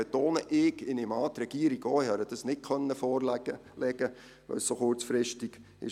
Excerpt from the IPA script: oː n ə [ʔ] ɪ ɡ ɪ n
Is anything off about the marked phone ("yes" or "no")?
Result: no